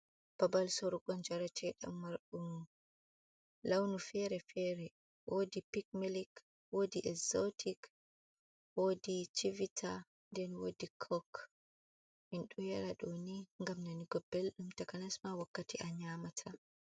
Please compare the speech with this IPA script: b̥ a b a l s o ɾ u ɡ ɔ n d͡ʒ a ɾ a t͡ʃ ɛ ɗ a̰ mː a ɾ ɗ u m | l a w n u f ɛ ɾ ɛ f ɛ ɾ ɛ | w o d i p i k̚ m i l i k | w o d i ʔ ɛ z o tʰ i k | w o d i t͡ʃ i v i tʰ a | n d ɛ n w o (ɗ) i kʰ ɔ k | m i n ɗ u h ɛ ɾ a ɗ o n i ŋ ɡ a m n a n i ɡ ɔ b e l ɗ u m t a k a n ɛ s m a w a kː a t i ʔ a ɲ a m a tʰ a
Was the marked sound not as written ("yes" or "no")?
yes